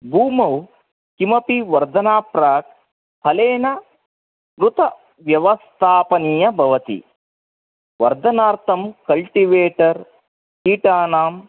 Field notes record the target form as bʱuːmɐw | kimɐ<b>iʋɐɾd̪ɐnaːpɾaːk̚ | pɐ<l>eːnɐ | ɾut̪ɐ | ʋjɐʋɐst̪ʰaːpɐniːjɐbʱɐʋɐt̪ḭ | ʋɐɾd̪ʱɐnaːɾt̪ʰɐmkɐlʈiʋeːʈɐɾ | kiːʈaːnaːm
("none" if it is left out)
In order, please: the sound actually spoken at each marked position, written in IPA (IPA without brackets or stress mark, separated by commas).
p, l